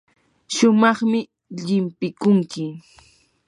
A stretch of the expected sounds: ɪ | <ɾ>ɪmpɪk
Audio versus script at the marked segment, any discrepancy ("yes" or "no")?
yes